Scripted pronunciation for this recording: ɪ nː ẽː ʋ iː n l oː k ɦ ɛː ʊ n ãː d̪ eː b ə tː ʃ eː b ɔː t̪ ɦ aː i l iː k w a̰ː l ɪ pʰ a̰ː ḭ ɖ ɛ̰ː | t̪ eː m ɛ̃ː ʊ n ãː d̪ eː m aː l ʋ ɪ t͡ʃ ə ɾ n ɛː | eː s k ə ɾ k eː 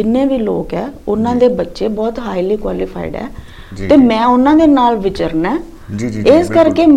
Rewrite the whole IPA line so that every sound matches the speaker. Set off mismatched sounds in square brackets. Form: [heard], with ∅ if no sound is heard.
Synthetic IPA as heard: ɪ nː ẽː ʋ iː [∅] l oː k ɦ ɛː ʊ n ãː d̪ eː b ə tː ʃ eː b ɔː t̪ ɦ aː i l iː k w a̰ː l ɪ pʰ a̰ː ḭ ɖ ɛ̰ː | t̪ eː m ɛ̃ː ʊ n ãː d̪ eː [n] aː l ʋ ɪ t͡ʃ ə ɾ n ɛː | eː s k ə ɾ k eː